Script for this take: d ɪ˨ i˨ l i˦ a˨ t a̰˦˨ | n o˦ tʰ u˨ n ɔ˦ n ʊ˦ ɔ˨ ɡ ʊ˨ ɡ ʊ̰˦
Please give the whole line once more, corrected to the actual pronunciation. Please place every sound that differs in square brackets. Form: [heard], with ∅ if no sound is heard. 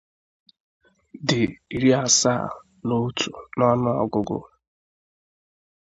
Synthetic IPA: d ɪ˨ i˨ [ɾ] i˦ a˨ [s] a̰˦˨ | n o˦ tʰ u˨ n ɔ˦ n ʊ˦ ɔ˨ ɡ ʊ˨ ɡ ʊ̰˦